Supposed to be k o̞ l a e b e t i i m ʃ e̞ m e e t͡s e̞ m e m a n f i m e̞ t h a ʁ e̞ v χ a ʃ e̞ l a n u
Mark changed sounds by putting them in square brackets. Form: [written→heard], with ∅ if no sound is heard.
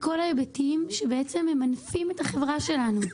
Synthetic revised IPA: k o̞ l a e b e t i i m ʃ e̞ [m→b] e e t͡s e̞ m e m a n f i m e̞ t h a [ʁ→χ] e̞ v [χ→ʁ] a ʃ e̞ l a n u